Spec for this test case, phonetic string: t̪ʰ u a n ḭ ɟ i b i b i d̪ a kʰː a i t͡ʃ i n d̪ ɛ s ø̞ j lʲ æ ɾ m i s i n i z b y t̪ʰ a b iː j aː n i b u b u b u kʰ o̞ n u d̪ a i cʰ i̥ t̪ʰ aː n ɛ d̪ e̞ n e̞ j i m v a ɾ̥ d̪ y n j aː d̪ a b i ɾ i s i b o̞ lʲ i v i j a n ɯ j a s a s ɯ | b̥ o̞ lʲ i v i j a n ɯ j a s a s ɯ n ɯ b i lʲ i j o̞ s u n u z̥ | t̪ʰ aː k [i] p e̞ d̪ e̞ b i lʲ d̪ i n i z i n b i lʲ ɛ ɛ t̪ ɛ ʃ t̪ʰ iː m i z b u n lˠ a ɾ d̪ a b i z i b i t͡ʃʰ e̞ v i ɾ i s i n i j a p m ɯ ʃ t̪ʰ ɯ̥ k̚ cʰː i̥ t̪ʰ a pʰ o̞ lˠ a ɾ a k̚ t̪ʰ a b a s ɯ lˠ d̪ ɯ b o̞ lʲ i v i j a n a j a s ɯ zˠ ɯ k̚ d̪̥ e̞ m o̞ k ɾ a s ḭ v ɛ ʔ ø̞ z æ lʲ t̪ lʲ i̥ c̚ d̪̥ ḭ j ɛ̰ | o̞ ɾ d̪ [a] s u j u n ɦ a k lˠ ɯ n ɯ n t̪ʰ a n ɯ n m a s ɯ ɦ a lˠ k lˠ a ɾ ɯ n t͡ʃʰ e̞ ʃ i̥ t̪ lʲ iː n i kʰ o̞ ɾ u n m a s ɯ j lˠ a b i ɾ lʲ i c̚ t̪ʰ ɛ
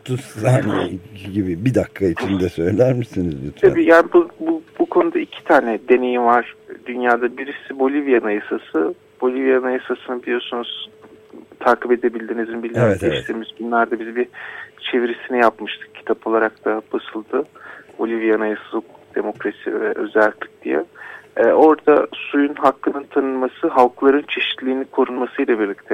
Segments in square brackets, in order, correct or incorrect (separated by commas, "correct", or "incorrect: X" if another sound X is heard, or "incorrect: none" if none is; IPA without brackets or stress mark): correct, correct